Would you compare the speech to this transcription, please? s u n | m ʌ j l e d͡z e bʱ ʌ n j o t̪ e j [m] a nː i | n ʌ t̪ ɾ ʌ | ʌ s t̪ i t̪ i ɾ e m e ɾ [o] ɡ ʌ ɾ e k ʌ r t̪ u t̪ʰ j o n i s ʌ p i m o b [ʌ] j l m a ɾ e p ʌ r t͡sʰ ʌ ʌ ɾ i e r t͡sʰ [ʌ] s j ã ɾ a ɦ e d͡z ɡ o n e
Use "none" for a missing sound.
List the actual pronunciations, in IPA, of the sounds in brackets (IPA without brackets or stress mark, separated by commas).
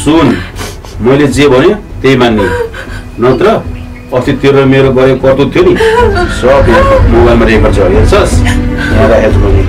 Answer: m, o, a, ʌ